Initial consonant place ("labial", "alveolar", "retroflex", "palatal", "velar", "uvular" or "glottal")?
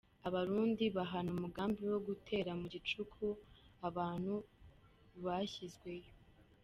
labial